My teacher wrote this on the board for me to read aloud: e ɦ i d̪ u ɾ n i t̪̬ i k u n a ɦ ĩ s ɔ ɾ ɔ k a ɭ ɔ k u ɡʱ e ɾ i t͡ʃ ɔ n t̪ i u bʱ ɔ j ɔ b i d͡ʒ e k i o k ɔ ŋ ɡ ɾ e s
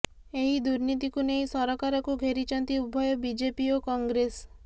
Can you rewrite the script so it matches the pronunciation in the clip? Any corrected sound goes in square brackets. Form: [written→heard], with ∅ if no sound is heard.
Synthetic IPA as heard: e ɦ i d̪ u ɾ n i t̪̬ i k u n [a→e] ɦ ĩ s ɔ ɾ ɔ k a [ɭ→ɾ] ɔ k u ɡʱ e ɾ i t͡ʃ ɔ n t̪ i u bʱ ɔ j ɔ b i d͡ʒ e [k→p] i o k ɔ ŋ ɡ ɾ e s